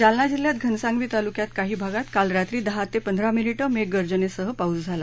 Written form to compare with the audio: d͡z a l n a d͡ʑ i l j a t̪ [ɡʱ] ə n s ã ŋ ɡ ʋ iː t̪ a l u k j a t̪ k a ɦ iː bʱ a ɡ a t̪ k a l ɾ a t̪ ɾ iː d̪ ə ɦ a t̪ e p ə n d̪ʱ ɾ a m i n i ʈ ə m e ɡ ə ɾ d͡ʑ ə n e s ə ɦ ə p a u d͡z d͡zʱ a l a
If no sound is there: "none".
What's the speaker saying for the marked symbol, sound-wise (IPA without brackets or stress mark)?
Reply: ɡʱ